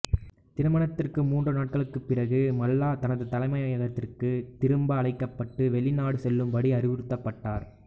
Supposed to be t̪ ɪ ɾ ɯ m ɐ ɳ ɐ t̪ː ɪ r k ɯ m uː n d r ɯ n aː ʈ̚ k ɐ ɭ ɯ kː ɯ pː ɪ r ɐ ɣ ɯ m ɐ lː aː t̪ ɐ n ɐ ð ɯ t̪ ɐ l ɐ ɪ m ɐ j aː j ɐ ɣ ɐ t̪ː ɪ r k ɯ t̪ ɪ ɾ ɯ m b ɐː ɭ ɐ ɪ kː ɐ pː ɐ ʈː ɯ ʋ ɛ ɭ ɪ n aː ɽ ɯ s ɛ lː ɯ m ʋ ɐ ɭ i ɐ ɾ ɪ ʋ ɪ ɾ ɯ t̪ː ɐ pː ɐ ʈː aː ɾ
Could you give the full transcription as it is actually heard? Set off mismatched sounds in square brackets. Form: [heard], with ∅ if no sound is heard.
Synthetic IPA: t̪ ɪ ɾ ɯ m ɐ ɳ ɐ t̪ː ɪ r k ɯ m uː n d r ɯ n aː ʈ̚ k ɐ ɭ ɯ kː ɯ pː ɪ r ɐ ɣ ɯ m ɐ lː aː t̪ ɐ n ɐ ð ɯ t̪ ɐ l ɐ ɪ m ɐ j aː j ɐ ɣ ɐ t̪ː ɪ r k ɯ t̪ ɪ ɾ ɯ m b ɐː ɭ ɐ ɪ kː ɐ pː ɐ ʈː ɯ ʋ ɛ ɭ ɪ n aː ɽ ɯ s ɛ lː ɯ m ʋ ɐ [ɽ] i ɐ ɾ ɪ ʋ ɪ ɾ ɯ t̪ː ɐ pː ɐ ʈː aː ɾ

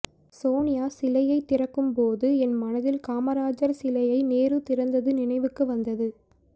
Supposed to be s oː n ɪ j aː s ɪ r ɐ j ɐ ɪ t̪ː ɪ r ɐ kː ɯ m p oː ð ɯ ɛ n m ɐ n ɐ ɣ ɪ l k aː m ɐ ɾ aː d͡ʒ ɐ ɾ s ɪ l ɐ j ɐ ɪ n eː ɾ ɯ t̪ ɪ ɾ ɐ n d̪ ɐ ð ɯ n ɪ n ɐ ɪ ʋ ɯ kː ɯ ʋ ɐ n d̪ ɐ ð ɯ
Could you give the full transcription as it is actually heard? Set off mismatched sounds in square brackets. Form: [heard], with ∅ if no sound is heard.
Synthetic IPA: s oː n ɪ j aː s ɪ [l] ɐ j ɐ ɪ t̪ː ɪ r ɐ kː ɯ m p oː ð ɯ ɛ n m ɐ n ɐ [ð] ɪ l k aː m ɐ ɾ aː d͡ʒ ɐ ɾ s ɪ l ɐ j ɐ ɪ n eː ɾ ɯ t̪ ɪ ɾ ɐ n d̪ ɐ ð ɯ n ɪ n ɐ ɪ ʋ ɯ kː ɯ ʋ ɐ n d̪ ɐ ð ɯ

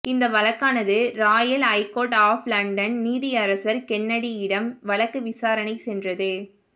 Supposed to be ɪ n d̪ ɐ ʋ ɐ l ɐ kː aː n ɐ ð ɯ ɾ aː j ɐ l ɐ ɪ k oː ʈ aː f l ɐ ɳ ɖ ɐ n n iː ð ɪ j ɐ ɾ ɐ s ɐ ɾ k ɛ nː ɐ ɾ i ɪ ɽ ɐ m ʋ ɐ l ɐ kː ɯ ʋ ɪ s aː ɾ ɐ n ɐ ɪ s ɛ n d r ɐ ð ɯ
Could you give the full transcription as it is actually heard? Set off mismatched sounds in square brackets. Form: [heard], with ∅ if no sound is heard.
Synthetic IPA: ɪ n d̪ ɐ ʋ ɐ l ɐ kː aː n ɐ ð ɯ ɾ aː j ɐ l ɐ ɪ k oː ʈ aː f l ɐ ɳ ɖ ɐ n n iː ð ɪ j ɐ ɾ ɐ s ɐ ɾ k ɛ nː ɐ [ɽ] i ɪ ɽ ɐ m ʋ ɐ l ɐ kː ɯ ʋ ɪ s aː ɾ ɐ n ɐ ɪ s ɛ n d r ɐ ð ɯ

